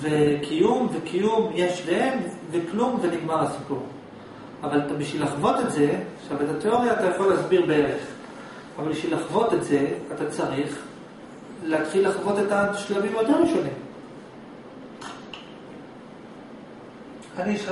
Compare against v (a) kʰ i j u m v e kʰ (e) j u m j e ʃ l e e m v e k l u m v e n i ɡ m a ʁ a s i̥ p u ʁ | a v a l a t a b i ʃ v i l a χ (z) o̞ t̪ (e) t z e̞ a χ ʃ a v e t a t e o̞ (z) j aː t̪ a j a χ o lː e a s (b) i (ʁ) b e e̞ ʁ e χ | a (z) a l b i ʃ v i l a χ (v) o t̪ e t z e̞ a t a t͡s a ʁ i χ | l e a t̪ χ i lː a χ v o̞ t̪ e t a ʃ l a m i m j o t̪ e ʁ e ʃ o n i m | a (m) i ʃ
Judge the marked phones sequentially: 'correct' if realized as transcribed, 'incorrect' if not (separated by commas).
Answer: incorrect, incorrect, incorrect, correct, incorrect, correct, correct, incorrect, correct, incorrect